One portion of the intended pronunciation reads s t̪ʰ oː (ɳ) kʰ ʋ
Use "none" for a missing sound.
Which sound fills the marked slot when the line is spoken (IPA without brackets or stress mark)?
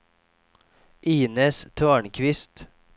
ɳ